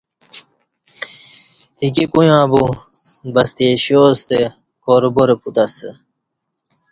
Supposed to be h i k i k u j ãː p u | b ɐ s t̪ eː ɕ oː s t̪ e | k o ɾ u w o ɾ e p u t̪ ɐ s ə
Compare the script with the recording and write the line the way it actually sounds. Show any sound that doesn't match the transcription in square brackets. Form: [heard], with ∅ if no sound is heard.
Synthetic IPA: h i k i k u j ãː [b] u | b ɐ s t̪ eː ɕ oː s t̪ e | k o ɾ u [b] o ɾ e p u t̪ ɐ s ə